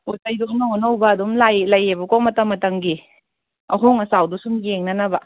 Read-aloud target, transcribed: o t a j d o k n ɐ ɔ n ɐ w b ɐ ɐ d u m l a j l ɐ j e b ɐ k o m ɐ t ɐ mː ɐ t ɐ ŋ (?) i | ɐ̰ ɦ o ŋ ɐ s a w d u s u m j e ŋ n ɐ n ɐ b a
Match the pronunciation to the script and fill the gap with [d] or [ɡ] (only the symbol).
ɡ